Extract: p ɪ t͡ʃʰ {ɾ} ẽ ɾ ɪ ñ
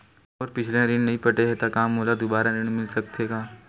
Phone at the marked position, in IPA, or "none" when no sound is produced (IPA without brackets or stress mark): l